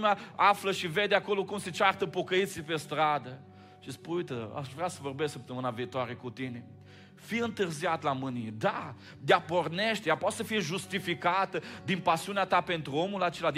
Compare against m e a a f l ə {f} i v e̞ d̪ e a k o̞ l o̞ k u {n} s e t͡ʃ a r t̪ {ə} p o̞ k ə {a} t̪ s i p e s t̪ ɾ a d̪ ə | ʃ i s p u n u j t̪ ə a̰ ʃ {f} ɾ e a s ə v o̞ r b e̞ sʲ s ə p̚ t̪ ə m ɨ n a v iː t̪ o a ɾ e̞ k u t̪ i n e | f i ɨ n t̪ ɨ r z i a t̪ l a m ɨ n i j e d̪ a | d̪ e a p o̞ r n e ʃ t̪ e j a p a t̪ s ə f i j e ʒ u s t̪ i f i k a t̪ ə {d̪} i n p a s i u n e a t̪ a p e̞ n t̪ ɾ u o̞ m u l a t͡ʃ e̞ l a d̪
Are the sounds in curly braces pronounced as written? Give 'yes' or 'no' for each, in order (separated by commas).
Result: no, no, yes, no, no, yes